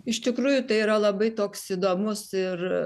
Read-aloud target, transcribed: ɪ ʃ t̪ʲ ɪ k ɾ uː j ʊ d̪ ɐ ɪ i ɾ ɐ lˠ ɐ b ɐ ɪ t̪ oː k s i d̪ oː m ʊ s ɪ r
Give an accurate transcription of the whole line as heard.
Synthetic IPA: ɪ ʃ t̪ʲ ɪ k ɾ uː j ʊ t̪ ɐ ɪ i ɾ ɐ lˠ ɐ b ɐ ɪ t̪ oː k s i d̪ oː m ʊ s ɪ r